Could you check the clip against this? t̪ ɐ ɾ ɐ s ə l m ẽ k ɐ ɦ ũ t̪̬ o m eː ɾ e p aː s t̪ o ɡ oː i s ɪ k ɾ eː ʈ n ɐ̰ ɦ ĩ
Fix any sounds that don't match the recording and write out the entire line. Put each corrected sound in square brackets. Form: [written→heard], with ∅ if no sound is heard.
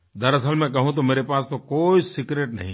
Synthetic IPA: [t̪→d̪] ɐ ɾ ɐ s ə l m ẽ k ɐ ɦ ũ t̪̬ o m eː ɾ e p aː s t̪ o [ɡ→k] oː i s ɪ k ɾ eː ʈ n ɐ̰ ɦ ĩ